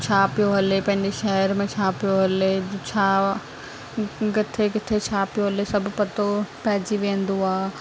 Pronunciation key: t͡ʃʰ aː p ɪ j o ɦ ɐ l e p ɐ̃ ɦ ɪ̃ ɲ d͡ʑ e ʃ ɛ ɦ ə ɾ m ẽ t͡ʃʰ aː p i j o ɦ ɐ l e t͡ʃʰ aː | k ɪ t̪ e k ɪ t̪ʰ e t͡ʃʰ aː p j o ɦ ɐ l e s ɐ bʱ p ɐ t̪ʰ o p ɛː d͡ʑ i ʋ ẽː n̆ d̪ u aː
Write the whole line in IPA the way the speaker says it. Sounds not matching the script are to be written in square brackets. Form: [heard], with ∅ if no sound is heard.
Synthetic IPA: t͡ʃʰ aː p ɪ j o ɦ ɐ l e p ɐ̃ ɦ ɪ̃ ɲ d͡ʑ e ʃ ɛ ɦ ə ɾ m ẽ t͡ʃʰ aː p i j o ɦ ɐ l e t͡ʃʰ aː | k ɪ [t̪ʰ] e k ɪ t̪ʰ e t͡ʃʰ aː p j o ɦ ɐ l e s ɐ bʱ p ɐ [t̪] o p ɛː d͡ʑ i ʋ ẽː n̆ d̪ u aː

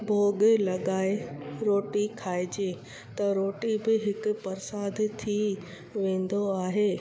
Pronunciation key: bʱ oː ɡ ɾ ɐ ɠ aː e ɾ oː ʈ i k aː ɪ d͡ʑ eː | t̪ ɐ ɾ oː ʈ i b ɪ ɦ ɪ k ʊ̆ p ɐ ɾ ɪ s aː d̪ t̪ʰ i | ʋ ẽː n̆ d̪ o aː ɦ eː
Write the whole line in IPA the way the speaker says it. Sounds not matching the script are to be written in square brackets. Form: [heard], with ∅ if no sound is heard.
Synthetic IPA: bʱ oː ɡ [l] ɐ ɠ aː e ɾ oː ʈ i [kʰ] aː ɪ d͡ʑ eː | t̪ ɐ ɾ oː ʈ i b ɪ ɦ ɪ k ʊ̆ p ɐ ɾ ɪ s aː d̪ t̪ʰ i | ʋ ẽː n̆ d̪ o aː ɦ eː

